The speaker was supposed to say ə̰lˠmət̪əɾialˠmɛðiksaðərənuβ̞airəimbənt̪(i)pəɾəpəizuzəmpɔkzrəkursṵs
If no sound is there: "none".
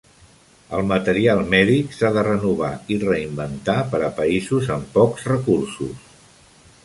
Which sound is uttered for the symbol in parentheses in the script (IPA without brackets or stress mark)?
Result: a